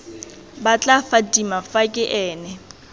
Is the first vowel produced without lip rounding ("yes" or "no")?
yes